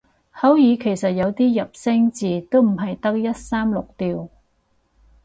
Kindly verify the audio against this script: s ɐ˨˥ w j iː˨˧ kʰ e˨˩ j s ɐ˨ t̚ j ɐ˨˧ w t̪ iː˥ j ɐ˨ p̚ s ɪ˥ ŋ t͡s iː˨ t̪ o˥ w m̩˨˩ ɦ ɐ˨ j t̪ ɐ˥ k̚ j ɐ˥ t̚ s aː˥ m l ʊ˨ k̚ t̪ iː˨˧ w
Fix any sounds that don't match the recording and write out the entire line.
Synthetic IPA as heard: h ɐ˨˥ w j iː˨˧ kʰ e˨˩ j s ɐ˨ t̚ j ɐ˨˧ w t̪ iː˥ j ɐ˨ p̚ s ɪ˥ ŋ t͡s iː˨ t̪ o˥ w m̩˨˩ ɦ ɐ˨ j t̪ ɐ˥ k̚ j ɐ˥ t̚ s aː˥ m l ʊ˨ k̚ t̪ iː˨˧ w